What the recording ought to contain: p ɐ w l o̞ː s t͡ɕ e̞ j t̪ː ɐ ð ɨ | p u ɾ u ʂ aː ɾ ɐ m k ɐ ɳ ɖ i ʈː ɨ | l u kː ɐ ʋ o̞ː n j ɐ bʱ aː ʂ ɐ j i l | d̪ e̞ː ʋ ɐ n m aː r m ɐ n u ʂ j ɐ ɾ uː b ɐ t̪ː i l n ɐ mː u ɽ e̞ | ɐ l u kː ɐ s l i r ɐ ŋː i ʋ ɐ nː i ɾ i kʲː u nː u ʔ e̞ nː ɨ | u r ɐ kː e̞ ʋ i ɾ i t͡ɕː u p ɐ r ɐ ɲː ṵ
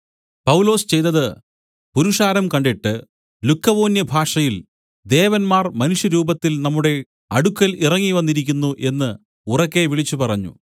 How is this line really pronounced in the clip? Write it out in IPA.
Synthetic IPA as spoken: p ɐ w l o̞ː s t͡ɕ e̞ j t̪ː ɐ ð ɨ | p u ɾ u ʂ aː ɾ ɐ m k ɐ ɳ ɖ i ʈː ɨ | l u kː ɐ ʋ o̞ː n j ɐ bʱ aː ʂ ɐ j i l | d̪ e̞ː ʋ ɐ n m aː r m ɐ n u ʂ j ɐ ɾ uː b ɐ t̪ː i l n ɐ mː u ɽ e̞ | ɐ ɽ u kː ɐ l i r ɐ ŋː i ʋ ɐ nː i ɾ i kʲː u nː u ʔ e̞ nː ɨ | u r ɐ kː e̞ ʋ i ɭ i t͡ɕː u p ɐ r ɐ ɲː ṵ